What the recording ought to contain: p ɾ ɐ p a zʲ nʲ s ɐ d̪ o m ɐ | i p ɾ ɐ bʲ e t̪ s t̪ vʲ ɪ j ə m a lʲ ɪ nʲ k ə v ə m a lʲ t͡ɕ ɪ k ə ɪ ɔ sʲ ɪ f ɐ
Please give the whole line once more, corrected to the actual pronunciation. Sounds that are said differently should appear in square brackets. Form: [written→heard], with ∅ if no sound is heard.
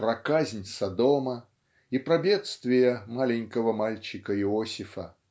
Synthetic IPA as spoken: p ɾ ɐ [p→k] a zʲ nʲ s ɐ d̪ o m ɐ | i p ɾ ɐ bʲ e t̪ s t̪ vʲ ɪ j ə m a lʲ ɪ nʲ k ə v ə m a lʲ t͡ɕ ɪ k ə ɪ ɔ sʲ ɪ f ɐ